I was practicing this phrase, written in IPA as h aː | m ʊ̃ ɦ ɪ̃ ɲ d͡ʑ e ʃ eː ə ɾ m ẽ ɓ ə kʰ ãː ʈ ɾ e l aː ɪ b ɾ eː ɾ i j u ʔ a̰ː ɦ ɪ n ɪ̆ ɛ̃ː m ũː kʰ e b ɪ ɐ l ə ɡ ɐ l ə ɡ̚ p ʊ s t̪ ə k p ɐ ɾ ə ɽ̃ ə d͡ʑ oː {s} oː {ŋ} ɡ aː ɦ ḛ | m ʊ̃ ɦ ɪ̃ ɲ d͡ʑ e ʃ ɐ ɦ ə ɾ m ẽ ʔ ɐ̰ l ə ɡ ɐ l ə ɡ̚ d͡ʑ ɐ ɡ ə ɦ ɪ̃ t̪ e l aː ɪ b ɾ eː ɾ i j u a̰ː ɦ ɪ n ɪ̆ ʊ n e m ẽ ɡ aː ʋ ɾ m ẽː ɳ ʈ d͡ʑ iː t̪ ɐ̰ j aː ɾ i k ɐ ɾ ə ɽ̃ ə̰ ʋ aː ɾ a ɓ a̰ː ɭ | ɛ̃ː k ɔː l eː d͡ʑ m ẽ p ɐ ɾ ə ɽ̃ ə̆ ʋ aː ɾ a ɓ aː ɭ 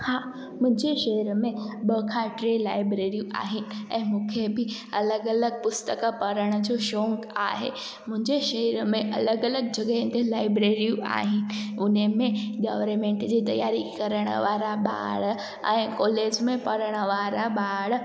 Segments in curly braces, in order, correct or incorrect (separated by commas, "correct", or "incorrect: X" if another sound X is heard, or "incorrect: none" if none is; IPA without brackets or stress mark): incorrect: ʃ, correct